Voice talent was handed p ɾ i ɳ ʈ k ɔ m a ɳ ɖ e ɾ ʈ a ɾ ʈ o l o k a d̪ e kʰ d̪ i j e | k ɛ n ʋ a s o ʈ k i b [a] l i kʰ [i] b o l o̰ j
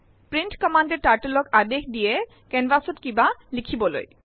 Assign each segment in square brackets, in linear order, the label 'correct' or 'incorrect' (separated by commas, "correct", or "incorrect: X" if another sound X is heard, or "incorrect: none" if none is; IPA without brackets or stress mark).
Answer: correct, correct